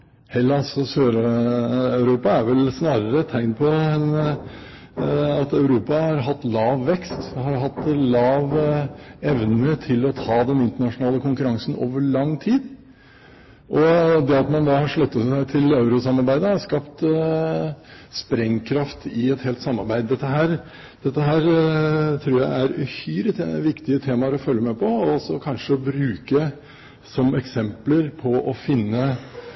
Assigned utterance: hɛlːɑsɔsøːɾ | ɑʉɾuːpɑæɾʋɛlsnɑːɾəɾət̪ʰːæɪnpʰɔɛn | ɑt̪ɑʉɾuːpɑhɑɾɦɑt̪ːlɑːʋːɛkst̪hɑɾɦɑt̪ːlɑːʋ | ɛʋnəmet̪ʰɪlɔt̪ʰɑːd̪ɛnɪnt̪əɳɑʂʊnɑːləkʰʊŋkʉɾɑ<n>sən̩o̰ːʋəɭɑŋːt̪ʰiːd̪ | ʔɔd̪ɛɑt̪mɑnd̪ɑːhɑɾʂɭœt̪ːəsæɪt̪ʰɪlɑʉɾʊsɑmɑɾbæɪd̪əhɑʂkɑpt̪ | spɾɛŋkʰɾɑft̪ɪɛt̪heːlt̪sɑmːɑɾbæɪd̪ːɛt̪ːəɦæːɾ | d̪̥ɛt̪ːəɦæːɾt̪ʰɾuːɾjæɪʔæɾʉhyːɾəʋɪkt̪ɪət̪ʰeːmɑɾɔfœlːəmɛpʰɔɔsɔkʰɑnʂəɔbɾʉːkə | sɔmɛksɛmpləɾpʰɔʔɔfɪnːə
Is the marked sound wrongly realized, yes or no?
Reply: yes